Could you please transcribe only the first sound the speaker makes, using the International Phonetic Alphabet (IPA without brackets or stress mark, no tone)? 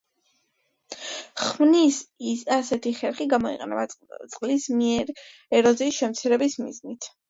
χ